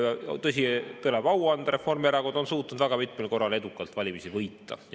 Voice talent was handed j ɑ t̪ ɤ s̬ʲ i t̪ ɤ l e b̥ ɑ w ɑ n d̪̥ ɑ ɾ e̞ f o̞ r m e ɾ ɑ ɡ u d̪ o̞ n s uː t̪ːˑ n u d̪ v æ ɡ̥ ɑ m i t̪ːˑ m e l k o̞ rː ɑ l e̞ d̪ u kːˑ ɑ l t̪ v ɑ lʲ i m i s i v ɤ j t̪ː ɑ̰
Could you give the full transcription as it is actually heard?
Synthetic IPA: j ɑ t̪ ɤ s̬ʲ i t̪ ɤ l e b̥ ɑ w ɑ n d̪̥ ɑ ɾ e̞ f o̞ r m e ɾ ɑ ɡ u d̪ o̞ n s uː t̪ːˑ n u d̪ v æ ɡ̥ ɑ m i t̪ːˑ m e l k o̞ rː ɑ l e̞ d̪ u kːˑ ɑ l t̪ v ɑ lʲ i m i s i v ɤ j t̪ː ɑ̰